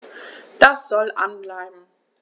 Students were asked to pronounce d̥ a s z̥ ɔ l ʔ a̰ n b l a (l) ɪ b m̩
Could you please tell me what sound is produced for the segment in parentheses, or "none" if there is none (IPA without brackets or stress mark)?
none